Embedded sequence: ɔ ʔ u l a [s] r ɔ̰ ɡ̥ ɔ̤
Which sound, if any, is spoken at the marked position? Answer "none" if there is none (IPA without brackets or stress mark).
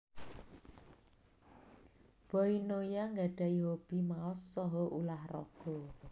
h